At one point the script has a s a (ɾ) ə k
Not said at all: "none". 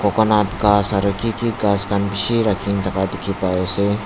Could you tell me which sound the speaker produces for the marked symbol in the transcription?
ɾ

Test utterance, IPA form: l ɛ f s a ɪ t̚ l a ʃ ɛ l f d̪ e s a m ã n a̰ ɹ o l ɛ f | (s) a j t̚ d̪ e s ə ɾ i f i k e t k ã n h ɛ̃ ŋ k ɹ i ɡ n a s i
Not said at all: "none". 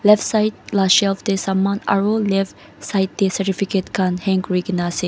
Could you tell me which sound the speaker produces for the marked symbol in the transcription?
s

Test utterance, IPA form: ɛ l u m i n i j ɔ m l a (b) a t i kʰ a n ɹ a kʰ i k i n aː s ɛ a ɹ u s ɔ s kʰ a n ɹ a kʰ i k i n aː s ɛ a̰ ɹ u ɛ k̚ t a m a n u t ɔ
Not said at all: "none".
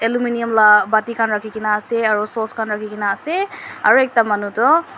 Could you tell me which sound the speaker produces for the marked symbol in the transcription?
b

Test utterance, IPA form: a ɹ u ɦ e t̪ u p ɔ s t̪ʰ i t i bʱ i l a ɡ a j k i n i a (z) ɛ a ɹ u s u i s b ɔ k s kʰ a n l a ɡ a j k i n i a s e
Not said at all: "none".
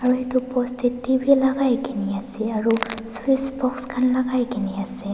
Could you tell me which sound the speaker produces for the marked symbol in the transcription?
s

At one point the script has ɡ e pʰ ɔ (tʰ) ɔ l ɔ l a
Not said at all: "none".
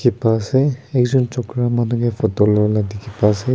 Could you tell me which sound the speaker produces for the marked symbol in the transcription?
t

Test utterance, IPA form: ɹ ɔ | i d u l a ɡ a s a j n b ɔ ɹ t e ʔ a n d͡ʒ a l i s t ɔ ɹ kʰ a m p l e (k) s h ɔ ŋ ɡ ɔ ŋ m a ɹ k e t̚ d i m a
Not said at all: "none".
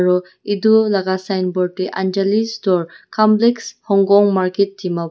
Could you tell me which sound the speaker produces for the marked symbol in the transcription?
k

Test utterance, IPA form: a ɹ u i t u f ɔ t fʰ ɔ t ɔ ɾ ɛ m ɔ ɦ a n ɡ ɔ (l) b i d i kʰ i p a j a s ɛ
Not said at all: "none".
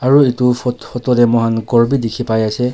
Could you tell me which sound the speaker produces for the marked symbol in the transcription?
ɹ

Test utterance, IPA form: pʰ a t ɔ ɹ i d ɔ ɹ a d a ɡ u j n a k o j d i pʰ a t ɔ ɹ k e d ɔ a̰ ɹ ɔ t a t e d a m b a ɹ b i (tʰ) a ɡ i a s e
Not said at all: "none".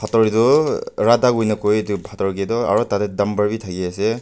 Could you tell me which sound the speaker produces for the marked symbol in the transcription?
tʰ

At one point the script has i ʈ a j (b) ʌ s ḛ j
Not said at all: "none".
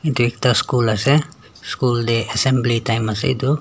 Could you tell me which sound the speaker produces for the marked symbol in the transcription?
m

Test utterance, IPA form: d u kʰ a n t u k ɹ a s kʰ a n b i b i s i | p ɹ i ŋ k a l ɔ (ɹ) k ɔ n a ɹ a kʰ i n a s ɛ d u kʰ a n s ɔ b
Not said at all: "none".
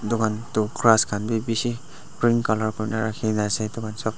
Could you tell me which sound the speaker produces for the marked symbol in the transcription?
ɹ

